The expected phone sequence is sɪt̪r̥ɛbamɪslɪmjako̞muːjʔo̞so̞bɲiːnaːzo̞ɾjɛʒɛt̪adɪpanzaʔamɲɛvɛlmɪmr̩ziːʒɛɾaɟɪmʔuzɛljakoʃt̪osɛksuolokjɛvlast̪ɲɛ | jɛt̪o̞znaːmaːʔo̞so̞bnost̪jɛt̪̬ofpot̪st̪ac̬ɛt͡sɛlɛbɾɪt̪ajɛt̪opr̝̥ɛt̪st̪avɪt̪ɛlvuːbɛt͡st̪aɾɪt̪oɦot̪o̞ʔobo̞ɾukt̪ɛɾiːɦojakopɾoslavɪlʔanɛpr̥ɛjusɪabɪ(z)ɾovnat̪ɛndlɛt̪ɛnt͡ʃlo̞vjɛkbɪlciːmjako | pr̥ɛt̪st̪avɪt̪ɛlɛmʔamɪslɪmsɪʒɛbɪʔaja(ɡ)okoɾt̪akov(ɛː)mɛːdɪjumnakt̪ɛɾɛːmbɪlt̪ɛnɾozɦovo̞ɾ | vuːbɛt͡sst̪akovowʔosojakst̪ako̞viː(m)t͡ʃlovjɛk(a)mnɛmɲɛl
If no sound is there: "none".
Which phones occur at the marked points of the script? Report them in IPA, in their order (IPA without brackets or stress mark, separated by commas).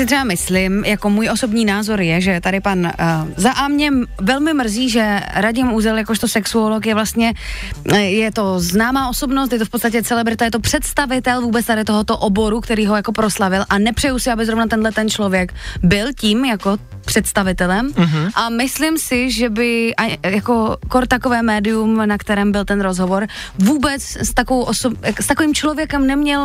z, k, ɛː, m, ɛ